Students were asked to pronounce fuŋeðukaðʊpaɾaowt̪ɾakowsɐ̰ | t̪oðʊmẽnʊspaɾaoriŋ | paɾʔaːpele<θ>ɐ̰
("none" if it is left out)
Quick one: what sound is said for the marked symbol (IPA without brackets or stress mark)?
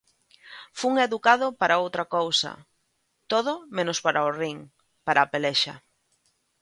ʃ